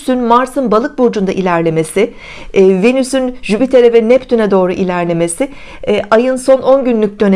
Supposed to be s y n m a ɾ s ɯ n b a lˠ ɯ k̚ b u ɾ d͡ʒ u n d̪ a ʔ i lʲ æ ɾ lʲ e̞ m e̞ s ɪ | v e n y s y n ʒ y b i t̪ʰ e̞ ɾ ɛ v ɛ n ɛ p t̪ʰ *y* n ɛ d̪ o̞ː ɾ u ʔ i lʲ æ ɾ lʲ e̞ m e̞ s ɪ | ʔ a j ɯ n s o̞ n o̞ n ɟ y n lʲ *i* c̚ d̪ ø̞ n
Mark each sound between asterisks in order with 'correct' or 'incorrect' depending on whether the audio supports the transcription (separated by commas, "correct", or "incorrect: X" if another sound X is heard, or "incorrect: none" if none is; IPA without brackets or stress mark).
correct, incorrect: y